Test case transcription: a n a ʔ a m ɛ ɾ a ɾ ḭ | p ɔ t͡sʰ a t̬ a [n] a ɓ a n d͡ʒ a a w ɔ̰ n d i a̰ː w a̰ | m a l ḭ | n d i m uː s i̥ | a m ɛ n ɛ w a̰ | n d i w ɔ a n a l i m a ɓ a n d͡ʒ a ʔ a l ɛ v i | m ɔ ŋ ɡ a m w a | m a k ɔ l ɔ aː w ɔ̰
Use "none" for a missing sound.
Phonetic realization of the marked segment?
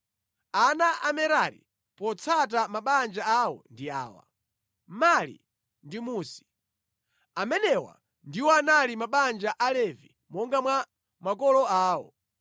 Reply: m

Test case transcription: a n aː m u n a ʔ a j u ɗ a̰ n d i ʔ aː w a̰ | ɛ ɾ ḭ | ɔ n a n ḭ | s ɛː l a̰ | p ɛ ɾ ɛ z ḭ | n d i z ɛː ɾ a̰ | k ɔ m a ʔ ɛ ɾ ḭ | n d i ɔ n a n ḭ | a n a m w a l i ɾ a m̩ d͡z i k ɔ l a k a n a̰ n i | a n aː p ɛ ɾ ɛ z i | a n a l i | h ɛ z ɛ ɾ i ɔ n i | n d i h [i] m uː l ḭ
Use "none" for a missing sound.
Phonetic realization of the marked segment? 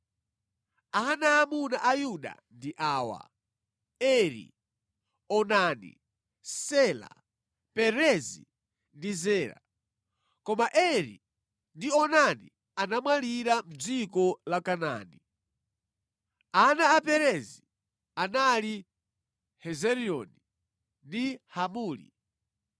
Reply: a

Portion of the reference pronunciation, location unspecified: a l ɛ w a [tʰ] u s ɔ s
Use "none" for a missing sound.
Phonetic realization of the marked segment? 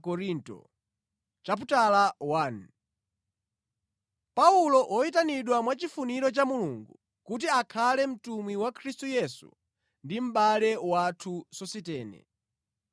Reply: tʰ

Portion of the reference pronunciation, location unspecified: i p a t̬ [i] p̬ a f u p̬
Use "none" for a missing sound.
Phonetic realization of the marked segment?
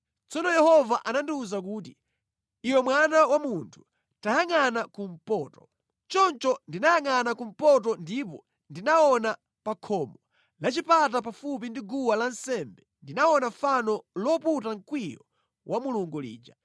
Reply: a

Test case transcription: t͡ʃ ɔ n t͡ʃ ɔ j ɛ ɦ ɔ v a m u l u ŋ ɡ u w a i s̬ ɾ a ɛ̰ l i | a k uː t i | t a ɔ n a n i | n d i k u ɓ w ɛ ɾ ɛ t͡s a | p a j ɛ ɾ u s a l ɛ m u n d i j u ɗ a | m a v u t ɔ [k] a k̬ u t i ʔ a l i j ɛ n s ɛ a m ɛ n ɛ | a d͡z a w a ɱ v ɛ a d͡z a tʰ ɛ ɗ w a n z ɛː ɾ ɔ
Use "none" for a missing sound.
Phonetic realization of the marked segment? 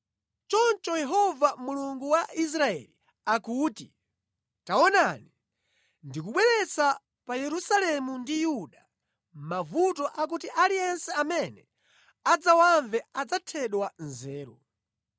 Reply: ʔ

